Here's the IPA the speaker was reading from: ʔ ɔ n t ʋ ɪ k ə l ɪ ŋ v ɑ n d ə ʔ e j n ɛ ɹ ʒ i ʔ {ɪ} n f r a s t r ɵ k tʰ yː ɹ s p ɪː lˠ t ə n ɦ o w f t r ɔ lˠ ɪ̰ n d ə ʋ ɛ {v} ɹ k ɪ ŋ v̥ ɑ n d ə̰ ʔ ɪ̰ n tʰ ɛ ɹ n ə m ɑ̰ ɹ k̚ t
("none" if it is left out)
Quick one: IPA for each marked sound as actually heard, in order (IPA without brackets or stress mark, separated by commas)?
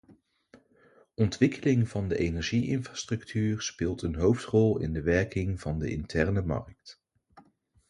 ɪ, none